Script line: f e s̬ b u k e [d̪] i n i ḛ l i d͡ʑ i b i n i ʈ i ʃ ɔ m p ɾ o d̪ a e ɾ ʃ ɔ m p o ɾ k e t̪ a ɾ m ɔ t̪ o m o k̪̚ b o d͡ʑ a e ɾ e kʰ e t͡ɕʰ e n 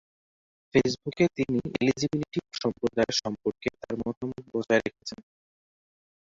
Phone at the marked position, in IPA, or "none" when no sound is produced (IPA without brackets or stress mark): t̪